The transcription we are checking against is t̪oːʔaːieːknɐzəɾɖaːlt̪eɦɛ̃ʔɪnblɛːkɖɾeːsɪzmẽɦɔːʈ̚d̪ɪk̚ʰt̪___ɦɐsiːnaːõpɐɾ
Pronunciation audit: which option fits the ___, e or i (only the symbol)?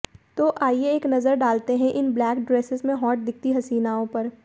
i